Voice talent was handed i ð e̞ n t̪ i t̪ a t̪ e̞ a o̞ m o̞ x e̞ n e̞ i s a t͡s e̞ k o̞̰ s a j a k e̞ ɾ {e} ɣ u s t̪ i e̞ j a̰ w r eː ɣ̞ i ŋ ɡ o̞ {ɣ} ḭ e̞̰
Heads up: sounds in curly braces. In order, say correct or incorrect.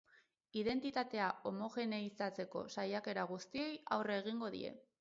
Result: incorrect: a, incorrect: ð

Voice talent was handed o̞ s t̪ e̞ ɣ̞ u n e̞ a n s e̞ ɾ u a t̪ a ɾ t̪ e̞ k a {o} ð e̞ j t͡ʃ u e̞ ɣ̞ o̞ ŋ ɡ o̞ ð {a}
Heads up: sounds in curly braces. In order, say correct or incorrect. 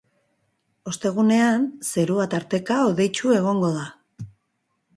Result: correct, correct

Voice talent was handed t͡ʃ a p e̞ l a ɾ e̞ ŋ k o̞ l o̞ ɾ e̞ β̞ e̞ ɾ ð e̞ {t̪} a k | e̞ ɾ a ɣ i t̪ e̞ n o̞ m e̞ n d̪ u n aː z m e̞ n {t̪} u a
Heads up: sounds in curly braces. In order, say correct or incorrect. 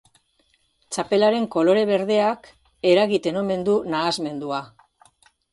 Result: incorrect: none, incorrect: d̪

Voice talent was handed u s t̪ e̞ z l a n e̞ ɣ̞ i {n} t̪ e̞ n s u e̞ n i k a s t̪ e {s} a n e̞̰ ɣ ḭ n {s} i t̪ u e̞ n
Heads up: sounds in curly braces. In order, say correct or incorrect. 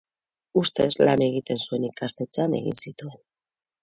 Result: incorrect: none, incorrect: t͡s, correct

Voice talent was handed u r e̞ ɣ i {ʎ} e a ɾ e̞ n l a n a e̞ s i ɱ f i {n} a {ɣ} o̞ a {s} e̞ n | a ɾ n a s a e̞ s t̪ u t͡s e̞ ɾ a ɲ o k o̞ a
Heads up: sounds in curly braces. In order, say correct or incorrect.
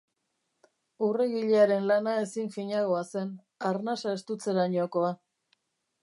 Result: correct, incorrect: ɲ, correct, correct

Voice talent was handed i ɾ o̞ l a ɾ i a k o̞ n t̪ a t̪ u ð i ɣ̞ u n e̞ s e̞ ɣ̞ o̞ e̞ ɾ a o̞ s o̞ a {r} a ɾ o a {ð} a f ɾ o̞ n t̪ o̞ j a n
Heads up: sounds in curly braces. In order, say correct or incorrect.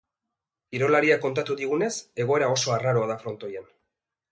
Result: correct, correct

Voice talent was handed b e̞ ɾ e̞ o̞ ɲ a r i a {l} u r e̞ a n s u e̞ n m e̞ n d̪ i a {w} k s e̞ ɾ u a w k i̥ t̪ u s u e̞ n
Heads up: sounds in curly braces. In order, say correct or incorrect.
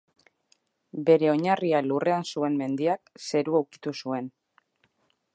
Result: correct, incorrect: none

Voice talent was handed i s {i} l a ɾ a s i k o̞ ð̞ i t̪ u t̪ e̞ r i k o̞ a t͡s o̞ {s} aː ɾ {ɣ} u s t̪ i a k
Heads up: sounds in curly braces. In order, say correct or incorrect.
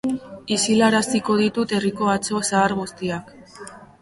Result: correct, correct, correct

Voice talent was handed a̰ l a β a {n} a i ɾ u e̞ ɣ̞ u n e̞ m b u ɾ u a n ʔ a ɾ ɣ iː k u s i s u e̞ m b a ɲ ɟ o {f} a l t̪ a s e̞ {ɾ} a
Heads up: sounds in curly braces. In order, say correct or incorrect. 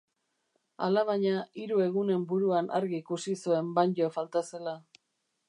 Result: incorrect: ɲ, correct, incorrect: l

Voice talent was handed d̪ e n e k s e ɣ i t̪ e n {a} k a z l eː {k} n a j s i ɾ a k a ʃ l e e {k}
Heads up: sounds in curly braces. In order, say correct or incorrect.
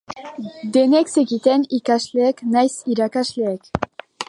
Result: incorrect: i, correct, correct

